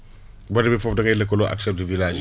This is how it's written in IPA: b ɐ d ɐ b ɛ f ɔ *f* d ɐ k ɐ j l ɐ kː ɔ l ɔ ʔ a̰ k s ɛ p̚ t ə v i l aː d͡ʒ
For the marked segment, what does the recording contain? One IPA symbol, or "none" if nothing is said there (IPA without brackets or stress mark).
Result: f